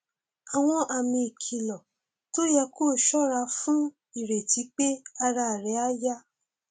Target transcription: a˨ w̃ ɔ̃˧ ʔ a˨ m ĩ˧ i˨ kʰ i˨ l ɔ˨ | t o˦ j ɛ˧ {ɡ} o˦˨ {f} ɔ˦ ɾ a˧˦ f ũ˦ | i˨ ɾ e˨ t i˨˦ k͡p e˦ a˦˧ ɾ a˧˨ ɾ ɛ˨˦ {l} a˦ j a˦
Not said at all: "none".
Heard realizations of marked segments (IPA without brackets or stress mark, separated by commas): k, ʃ, none